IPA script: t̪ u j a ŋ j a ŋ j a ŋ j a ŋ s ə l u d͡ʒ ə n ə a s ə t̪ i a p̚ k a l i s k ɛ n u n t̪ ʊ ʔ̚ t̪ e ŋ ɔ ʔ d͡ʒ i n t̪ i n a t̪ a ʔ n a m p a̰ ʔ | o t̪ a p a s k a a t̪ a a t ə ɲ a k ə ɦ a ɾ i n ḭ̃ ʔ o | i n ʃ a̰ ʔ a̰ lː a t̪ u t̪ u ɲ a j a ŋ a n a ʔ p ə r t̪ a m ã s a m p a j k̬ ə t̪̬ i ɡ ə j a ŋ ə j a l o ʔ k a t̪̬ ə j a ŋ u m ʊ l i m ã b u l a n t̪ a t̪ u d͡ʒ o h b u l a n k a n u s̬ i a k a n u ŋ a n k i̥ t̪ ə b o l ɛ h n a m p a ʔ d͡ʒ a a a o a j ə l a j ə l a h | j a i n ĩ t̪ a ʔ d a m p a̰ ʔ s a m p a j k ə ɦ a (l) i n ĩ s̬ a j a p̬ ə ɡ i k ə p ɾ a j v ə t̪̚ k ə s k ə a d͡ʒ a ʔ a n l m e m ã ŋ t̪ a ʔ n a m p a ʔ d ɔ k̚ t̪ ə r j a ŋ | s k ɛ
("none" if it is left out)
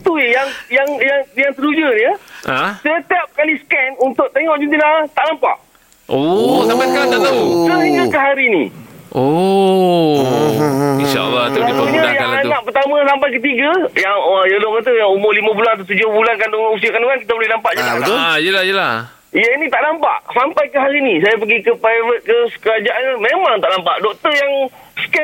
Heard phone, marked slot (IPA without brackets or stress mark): ɾ